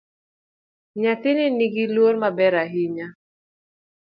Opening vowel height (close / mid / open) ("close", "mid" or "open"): open